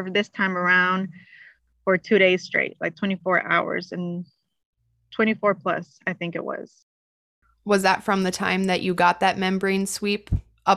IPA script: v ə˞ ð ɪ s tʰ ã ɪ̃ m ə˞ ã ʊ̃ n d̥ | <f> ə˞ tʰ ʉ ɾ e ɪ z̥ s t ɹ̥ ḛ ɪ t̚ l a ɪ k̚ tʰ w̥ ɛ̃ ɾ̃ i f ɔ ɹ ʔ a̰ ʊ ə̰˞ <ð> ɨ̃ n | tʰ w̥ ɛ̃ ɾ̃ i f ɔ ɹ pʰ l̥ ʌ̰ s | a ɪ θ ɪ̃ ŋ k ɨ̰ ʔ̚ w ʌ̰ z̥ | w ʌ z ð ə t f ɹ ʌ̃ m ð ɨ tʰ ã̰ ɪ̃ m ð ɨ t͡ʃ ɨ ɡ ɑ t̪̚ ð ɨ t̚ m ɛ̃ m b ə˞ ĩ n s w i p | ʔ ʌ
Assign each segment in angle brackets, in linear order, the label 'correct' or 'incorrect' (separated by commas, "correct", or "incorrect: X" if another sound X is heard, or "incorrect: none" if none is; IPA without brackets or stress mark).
correct, incorrect: z